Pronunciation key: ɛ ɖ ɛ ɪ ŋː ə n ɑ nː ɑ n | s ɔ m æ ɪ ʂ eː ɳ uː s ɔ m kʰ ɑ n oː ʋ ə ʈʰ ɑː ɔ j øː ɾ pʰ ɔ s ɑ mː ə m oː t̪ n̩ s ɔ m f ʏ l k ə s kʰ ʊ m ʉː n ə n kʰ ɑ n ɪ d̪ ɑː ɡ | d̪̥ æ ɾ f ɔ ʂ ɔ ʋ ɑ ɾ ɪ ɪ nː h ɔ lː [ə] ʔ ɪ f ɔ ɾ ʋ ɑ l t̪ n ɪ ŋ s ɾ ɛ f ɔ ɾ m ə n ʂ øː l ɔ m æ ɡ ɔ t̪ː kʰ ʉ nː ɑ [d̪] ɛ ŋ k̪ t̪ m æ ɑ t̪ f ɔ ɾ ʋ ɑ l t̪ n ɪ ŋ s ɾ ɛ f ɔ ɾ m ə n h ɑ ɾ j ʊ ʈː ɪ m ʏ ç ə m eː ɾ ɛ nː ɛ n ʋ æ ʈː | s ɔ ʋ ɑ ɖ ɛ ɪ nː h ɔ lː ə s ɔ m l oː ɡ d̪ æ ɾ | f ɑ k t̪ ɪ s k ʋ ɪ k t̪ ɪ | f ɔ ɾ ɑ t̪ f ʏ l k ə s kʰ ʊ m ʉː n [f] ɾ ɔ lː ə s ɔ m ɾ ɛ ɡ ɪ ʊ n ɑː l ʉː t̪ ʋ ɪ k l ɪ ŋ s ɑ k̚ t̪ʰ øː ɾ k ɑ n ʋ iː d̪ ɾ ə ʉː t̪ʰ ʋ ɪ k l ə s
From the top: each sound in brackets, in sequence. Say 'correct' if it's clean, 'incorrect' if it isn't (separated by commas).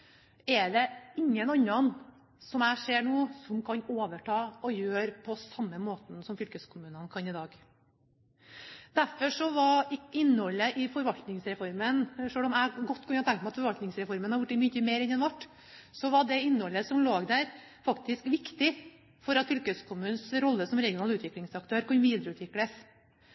correct, incorrect, incorrect